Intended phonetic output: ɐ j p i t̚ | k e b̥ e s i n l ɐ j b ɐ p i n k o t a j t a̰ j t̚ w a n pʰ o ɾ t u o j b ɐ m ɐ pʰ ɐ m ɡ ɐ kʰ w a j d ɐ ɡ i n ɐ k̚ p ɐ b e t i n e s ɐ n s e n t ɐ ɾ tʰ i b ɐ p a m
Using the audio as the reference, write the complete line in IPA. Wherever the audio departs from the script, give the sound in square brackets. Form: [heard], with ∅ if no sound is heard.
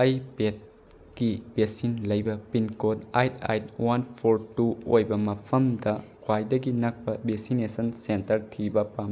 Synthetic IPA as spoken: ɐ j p [e] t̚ | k [i] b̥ e s i n l ɐ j b ɐ p i n k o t a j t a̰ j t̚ w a n pʰ o ɾ t u o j b ɐ m ɐ pʰ ɐ m [d] ɐ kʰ w a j d ɐ ɡ i n ɐ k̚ p ɐ b e [s] i n e s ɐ n s e n t ɐ ɾ tʰ i b ɐ p a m